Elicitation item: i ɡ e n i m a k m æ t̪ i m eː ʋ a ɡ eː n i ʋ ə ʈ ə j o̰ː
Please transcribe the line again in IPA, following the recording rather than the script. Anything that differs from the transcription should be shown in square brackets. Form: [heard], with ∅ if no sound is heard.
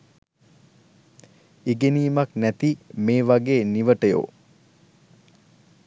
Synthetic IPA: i ɡ e n [iː] m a k [n] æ t̪ i m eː ʋ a ɡ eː n i ʋ ə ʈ ə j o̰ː